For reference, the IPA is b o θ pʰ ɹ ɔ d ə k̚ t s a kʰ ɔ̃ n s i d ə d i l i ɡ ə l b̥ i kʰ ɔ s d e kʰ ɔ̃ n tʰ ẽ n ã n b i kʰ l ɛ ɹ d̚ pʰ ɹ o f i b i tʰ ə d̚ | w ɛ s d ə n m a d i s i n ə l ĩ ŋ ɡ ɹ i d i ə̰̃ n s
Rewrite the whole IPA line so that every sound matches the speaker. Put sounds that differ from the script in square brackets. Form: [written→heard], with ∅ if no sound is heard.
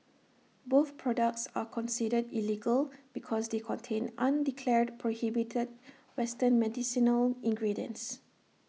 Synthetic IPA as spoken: b o θ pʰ ɹ ɔ d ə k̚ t s a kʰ ɔ̃ n s i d ə d i l i ɡ ə l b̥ i kʰ ɔ s d e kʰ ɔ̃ n tʰ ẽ n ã n [b→d] i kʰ l ɛ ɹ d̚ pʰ ɹ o [f→h] i b i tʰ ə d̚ | w ɛ s [d→t] ə n m [a→ɛ] d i s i n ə l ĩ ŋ ɡ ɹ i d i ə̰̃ n s